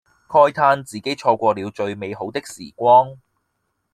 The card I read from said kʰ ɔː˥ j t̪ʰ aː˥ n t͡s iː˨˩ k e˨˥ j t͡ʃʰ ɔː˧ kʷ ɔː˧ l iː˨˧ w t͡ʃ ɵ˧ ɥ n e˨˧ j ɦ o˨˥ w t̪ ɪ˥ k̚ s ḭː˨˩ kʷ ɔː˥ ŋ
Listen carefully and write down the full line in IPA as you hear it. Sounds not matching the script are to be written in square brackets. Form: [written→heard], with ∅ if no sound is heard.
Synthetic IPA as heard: kʰ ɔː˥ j t̪ʰ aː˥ n t͡s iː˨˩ k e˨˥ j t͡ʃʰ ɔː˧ kʷ ɔː˧ l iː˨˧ w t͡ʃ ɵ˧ ɥ [n→m] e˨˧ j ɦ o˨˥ w t̪ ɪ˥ k̚ s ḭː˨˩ kʷ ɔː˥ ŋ